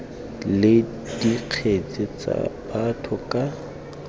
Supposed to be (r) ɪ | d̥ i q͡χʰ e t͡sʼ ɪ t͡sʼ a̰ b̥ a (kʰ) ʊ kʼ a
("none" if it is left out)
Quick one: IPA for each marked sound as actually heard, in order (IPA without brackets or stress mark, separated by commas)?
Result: l, tʰ